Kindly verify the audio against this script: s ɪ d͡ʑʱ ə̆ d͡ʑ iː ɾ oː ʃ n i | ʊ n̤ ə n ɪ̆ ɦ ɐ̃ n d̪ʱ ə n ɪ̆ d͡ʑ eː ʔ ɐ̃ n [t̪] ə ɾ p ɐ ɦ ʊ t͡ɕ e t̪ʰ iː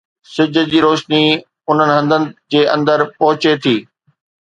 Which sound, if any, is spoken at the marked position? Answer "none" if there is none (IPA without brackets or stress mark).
d̪